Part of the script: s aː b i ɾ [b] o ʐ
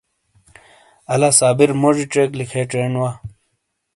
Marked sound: incorrect: m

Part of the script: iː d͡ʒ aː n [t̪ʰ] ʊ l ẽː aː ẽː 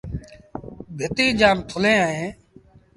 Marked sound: correct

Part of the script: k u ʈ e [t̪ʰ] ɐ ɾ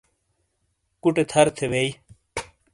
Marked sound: correct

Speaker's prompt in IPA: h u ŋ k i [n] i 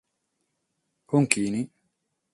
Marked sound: correct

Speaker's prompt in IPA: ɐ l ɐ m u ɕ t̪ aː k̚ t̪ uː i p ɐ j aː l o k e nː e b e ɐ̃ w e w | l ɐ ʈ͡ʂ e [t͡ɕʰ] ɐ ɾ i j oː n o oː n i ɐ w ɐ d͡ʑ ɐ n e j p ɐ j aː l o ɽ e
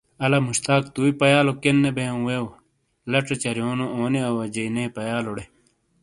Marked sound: incorrect: t͡ɕ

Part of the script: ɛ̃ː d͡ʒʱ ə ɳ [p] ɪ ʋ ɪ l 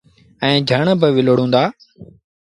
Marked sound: incorrect: b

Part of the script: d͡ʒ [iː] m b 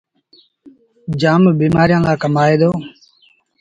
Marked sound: incorrect: aː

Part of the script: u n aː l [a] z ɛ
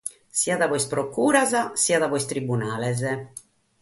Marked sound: incorrect: ɛ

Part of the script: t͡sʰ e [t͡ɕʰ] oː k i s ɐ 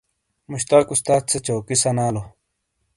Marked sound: incorrect: t͡ɕ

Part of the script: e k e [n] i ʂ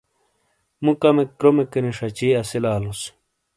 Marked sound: correct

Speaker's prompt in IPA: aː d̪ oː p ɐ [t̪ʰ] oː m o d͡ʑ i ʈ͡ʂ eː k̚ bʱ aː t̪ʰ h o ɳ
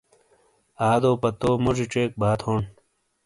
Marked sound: incorrect: t̪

